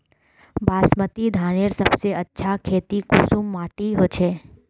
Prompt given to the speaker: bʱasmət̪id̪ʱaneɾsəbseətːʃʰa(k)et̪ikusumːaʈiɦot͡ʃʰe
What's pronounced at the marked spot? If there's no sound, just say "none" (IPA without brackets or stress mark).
kʰ